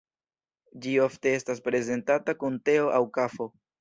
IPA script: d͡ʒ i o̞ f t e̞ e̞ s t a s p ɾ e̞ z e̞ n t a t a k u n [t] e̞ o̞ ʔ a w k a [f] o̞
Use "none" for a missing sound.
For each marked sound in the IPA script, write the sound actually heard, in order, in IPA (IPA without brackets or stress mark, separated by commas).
t, f